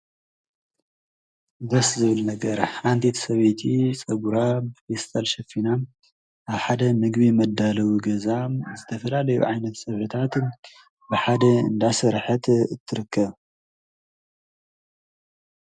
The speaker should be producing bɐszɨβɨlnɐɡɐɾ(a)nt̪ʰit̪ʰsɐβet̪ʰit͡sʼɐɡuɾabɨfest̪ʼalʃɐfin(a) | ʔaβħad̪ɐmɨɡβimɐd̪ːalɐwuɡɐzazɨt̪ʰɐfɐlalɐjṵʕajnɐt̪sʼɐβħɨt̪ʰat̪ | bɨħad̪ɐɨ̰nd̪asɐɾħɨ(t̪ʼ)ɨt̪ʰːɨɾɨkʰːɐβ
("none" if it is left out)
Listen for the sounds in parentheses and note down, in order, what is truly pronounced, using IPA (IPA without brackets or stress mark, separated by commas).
a, a, t̪